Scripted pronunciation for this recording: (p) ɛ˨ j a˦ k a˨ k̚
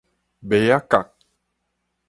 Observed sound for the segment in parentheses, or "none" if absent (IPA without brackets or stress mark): b